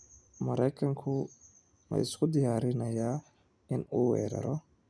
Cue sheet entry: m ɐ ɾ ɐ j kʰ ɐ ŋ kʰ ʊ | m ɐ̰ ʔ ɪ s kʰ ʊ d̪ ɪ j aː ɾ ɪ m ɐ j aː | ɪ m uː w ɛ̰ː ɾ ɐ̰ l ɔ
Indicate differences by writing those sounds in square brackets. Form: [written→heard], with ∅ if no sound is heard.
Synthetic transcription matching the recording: m ɐ ɾ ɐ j kʰ ɐ ŋ kʰ ʊ | m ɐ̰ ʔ ɪ s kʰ ʊ d̪ ɪ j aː ɾ ɪ [m→n] ɐ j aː | ɪ [m→n] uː w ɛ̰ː ɾ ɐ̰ [l→ɾ] ɔ